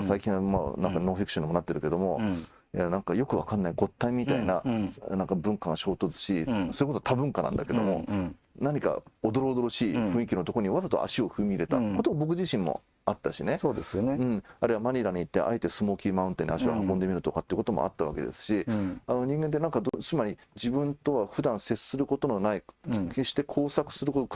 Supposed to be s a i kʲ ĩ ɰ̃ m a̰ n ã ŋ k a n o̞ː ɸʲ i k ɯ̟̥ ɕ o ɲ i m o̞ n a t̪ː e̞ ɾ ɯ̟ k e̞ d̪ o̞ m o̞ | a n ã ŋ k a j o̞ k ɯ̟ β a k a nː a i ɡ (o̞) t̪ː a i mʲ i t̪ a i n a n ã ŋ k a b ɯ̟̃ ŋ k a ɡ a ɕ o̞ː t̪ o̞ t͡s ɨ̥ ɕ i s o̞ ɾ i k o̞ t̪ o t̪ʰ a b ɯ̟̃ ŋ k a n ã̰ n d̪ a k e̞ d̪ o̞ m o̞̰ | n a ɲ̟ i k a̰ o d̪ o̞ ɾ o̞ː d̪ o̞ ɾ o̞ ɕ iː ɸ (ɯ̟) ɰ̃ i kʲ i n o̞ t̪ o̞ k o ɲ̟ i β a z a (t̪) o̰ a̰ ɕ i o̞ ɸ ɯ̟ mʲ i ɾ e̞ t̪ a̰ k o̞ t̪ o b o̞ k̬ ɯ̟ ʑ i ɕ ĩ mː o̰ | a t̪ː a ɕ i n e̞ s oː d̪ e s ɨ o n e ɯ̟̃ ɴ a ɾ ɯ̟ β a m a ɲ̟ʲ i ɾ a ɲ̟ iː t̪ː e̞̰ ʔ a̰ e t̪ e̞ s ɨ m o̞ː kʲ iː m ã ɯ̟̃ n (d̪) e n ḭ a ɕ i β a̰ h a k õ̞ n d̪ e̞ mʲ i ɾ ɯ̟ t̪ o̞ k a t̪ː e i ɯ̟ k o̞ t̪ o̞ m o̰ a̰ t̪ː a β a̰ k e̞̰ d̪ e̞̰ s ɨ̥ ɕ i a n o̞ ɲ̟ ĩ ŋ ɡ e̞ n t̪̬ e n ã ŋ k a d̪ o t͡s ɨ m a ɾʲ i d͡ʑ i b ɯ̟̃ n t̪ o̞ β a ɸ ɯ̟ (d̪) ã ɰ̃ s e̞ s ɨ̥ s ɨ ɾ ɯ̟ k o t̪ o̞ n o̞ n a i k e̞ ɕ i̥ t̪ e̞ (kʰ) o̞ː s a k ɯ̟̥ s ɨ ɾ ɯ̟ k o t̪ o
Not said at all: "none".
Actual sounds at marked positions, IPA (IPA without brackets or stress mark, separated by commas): o̞, ɯ̟̃, t̪, t̪, d̪, kʰ